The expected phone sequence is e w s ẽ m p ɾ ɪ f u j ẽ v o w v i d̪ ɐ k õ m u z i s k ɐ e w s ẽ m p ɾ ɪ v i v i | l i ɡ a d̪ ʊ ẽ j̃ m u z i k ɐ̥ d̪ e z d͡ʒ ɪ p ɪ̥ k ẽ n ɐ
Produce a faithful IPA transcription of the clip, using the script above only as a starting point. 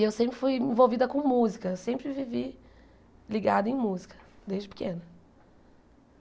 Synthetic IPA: e w s ẽ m p ɾ ɪ f u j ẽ v o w v i d̪ ɐ k õ m u z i k ɐ e w s ẽ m p ɾ ɪ v i v i | l i ɡ a d̪ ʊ ẽ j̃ m u z i k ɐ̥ d̪ e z d͡ʒ ɪ p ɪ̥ k ẽ n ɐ